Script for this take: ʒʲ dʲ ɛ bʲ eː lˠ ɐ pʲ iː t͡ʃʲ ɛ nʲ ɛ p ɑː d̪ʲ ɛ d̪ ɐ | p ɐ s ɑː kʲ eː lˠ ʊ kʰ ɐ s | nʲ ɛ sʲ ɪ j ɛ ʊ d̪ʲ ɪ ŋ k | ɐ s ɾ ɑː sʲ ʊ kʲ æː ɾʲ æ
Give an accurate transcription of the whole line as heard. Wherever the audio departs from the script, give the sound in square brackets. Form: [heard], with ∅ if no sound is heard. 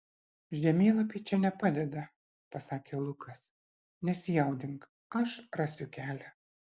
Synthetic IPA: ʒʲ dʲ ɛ [mʲ] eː lˠ ɐ pʲ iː t͡ʃʲ ɛ nʲ ɛ p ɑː d̪ʲ ɛ d̪ ɐ | p ɐ s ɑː kʲ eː lˠ ʊ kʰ ɐ s | nʲ ɛ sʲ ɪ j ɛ ʊ d̪ʲ ɪ ŋ k | ɐ [ʃ] ɾ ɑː sʲ ʊ kʲ æː [lʲ] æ

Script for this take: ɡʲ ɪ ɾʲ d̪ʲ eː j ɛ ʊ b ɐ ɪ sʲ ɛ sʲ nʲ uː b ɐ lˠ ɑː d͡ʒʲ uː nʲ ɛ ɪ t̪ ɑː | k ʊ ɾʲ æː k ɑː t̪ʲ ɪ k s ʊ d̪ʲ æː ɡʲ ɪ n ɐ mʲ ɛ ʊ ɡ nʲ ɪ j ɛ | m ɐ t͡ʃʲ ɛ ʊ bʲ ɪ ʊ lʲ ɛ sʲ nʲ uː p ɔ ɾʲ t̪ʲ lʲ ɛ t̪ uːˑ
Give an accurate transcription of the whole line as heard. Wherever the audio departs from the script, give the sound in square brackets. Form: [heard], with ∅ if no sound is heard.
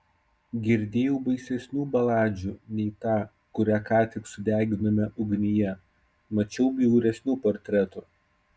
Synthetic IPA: ɡʲ ɪ ɾʲ d̪ʲ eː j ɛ ʊ b ɐ ɪ sʲ ɛ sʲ nʲ uː b ɐ lˠ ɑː d͡ʒʲ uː nʲ ɛ ɪ t̪ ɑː | k ʊ ɾʲ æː k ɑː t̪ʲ ɪ k s ʊ d̪ʲ æː ɡʲ ɪ n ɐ mʲ ɛ ʊ ɡ nʲ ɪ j ɛ | m ɐ t͡ʃʲ ɛ ʊ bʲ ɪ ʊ [ɾʲ] ɛ sʲ nʲ uː p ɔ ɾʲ t̪ʲ [ɾʲ] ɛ t̪ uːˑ

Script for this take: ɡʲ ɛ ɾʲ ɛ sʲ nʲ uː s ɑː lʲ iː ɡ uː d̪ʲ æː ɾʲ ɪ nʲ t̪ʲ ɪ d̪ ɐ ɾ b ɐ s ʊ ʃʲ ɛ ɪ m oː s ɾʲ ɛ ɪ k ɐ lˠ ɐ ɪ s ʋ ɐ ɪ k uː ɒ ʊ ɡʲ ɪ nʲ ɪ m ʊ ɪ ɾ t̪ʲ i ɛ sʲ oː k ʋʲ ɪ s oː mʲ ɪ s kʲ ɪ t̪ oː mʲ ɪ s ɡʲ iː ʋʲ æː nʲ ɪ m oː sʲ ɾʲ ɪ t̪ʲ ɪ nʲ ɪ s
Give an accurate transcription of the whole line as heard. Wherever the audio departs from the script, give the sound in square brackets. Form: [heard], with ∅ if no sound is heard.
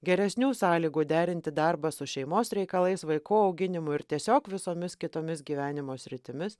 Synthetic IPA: ɡʲ ɛ ɾʲ ɛ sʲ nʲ uː s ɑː lʲ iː ɡ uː d̪ʲ æː ɾʲ ɪ nʲ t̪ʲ ɪ d̪ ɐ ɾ b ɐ s ʊ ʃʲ ɛ ɪ m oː s ɾʲ ɛ ɪ k ɐ lˠ ɐ ɪ s ʋ ɐ ɪ k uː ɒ ʊ ɡʲ ɪ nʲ ɪ m ʊ ɪ ɾ t̪ʲ i ɛ sʲ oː k ʋʲ ɪ s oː mʲ ɪ s kʲ ɪ t̪ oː mʲ ɪ s ɡʲ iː ʋʲ æː nʲ ɪ m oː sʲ ɾʲ ɪ t̪ʲ ɪ [mʲ] ɪ s

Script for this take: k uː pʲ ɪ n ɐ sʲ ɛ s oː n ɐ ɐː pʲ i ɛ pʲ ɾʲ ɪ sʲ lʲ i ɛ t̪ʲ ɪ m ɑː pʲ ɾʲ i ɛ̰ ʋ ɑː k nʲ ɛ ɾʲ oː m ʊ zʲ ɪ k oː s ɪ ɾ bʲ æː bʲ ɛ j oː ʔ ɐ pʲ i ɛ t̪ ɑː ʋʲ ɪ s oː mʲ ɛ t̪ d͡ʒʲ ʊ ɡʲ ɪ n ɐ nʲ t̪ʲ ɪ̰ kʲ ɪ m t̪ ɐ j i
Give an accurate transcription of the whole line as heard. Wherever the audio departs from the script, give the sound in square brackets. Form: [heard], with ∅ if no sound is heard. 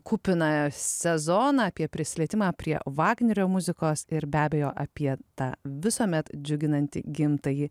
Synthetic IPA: k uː pʲ ɪ n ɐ sʲ ɛ [z] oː n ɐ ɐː pʲ i ɛ pʲ ɾʲ ɪ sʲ lʲ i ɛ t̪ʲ ɪ m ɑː pʲ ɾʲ i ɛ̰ ʋ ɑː [ɡ] nʲ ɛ ɾʲ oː m ʊ zʲ ɪ k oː s ɪ ɾ bʲ æː bʲ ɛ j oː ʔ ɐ pʲ i ɛ t̪ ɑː ʋʲ ɪ s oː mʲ ɛ t̪ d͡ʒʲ ʊ ɡʲ ɪ n ɐ nʲ t̪ʲ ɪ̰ [ɡʲ] ɪ m t̪ ɐ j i

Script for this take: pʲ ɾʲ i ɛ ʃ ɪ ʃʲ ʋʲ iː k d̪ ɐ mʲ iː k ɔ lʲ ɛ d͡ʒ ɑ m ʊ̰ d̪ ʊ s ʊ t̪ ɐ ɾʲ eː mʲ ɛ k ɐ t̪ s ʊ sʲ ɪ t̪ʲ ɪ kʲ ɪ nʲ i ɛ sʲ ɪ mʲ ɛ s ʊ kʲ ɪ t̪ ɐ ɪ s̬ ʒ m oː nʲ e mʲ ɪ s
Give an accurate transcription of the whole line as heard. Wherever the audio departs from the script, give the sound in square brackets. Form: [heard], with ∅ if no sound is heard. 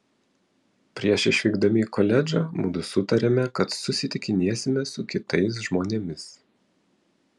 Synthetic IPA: pʲ ɾʲ i ɛ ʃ ɪ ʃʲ ʋʲ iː [ɡ] d̪ ɐ mʲ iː k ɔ lʲ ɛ d͡ʒ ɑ m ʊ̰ d̪ ʊ s ʊ t̪ ɐ ɾʲ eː mʲ ɛ k ɐ t̪ s ʊ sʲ ɪ t̪ʲ ɪ kʲ ɪ nʲ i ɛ sʲ ɪ mʲ ɛ s ʊ kʲ ɪ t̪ ɐ ɪ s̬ ʒ m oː nʲ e mʲ ɪ s

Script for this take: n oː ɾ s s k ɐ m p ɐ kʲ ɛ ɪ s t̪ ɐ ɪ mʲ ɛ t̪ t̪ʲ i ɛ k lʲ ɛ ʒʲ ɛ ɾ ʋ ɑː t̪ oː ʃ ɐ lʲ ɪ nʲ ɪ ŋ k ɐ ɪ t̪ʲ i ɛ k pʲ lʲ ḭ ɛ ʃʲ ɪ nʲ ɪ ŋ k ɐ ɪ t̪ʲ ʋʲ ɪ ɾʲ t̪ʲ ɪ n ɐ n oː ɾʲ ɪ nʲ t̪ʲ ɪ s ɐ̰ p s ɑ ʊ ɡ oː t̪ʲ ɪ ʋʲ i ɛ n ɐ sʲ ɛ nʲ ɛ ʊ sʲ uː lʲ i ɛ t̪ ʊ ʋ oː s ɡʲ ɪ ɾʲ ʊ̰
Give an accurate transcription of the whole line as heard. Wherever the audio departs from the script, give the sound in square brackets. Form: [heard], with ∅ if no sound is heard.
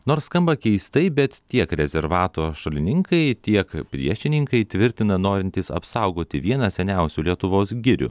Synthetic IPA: n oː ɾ s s k ɐ m [b] ɐ kʲ ɛ ɪ s t̪ ɐ ɪ [bʲ] ɛ t̪ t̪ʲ i ɛ k [ɾʲ] ɛ [zʲ] ɛ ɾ ʋ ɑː t̪ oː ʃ ɐ lʲ ɪ nʲ ɪ ŋ k ɐ ɪ t̪ʲ i ɛ k pʲ [ɾʲ] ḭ ɛ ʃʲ ɪ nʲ ɪ ŋ k ɐ ɪ t̪ʲ ʋʲ ɪ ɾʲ t̪ʲ ɪ n ɐ n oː ɾʲ ɪ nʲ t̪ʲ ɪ s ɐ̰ p s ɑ ʊ ɡ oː t̪ʲ ɪ ʋʲ i ɛ n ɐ sʲ ɛ nʲ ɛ ʊ sʲ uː lʲ i ɛ t̪ ʊ ʋ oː s ɡʲ ɪ ɾʲ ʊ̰

